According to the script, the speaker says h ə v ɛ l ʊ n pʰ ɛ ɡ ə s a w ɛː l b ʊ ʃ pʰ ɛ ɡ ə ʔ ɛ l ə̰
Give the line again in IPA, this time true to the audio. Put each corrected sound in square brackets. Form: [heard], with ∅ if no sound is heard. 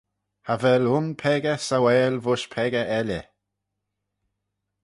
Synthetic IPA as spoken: h [a] v ɛ l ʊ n pʰ ɛ ɡ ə s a w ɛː l [v] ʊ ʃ pʰ ɛ ɡ ə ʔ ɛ l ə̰